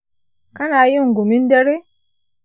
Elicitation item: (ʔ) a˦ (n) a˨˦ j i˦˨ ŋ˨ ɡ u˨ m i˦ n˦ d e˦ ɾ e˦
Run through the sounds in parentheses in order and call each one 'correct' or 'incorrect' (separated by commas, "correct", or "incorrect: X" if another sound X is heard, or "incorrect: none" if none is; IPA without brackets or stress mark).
incorrect: k, correct